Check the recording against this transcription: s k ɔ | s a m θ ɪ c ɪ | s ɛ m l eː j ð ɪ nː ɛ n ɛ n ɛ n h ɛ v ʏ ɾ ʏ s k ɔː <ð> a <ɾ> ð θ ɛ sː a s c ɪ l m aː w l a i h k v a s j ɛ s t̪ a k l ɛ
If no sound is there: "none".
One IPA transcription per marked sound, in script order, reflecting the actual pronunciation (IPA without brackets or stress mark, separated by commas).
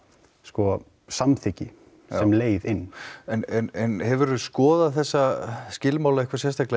ð, none